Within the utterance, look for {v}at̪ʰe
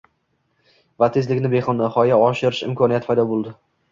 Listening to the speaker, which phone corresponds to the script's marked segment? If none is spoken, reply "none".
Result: v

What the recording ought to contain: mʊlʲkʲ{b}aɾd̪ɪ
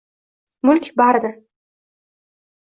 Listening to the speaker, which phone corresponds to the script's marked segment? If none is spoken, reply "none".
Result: b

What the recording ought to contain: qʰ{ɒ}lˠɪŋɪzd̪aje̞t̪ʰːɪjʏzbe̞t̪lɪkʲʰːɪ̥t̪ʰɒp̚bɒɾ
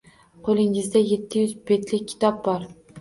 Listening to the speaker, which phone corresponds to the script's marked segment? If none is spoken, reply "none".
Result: o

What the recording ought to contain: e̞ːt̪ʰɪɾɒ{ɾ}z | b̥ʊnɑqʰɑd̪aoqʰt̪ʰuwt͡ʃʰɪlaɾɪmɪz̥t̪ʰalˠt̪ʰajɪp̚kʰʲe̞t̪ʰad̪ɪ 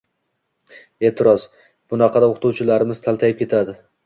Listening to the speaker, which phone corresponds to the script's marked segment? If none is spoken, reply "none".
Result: none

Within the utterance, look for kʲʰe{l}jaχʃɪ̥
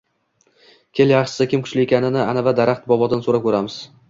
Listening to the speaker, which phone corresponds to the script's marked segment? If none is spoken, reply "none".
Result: l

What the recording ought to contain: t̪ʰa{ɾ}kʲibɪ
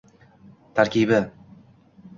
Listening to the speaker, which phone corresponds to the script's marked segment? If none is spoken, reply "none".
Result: ɾ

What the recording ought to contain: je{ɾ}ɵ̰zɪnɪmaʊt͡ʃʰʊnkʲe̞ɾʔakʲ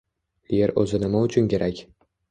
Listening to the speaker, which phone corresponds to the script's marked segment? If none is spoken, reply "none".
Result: ɾ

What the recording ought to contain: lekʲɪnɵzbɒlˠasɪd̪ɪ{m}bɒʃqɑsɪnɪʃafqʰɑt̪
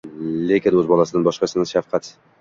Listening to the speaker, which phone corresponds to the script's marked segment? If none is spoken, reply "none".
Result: n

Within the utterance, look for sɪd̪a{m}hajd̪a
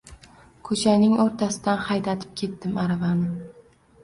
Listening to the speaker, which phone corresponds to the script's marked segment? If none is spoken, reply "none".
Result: n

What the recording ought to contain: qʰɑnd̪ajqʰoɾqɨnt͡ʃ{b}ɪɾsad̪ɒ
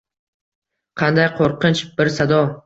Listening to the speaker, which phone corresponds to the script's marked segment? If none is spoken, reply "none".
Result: b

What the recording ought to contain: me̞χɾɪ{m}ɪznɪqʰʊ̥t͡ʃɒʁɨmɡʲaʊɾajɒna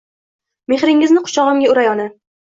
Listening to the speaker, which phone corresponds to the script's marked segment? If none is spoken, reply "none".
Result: ŋ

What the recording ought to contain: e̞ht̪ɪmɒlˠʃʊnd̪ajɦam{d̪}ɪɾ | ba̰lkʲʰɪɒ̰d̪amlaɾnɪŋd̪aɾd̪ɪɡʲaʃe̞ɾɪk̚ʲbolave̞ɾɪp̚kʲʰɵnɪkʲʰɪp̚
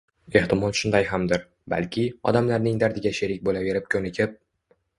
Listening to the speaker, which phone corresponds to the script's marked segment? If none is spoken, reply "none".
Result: d̪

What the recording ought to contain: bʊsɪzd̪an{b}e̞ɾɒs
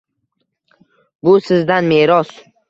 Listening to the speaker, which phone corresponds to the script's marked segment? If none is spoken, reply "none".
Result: m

